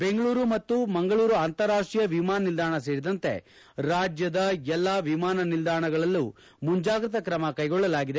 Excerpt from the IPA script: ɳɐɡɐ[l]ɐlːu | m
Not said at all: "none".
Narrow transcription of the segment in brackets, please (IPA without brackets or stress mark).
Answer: ɭ